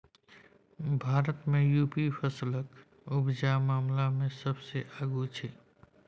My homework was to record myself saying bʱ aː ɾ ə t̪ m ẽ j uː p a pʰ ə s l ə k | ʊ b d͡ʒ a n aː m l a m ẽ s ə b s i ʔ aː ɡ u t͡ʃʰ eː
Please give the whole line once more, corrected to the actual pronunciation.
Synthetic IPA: bʱ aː ɾ ə t̪ m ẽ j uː p i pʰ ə s l ə k | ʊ b d͡ʒ a m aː m l a m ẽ s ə b s e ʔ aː ɡ u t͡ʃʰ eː